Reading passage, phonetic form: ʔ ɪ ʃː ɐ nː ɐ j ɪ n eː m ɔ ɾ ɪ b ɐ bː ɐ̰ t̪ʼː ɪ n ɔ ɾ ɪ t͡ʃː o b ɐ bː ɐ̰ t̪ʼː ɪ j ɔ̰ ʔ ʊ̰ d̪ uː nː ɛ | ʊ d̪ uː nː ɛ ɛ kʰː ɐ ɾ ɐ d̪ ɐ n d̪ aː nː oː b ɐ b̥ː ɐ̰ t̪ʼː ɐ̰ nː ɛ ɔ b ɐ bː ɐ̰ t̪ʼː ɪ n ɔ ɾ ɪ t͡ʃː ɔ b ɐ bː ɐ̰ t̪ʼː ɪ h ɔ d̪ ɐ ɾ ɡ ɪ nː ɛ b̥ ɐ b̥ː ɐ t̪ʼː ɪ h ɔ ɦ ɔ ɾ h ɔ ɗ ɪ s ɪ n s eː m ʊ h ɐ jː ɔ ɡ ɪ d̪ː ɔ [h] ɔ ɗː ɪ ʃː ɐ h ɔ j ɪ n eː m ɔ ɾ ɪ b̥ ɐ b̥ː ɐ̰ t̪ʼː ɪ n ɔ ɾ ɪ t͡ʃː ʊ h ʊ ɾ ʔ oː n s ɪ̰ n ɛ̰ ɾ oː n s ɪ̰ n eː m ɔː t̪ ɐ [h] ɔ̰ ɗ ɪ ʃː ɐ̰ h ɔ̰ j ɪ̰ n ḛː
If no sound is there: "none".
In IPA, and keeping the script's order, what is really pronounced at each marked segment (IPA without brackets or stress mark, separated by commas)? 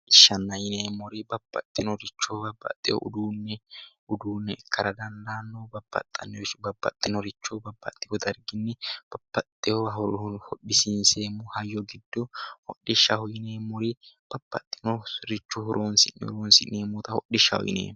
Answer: h, h